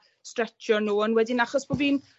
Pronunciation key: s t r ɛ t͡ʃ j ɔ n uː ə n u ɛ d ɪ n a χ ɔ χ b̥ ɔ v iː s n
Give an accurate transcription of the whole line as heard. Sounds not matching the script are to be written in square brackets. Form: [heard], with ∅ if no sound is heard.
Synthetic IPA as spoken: s t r ɛ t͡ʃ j ɔ n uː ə n [w] ɛ d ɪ n a χ ɔ [s] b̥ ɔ v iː [∅] n